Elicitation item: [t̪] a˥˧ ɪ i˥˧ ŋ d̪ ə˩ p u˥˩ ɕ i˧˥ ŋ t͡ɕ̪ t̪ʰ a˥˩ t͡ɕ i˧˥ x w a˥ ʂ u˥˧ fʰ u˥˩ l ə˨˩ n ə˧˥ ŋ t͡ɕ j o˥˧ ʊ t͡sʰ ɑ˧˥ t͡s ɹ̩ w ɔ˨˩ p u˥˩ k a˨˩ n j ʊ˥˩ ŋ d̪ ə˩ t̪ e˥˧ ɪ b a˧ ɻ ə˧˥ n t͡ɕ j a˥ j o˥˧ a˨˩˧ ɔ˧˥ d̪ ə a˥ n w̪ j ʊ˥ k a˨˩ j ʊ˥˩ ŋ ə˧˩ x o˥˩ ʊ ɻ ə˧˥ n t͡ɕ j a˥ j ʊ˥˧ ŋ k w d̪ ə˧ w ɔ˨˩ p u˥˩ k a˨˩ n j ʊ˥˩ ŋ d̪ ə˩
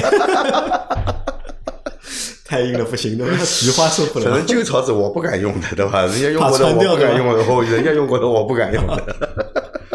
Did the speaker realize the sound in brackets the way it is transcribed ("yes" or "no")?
no